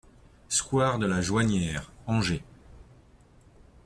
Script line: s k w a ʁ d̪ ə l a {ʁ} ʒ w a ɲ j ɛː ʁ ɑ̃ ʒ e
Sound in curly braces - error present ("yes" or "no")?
yes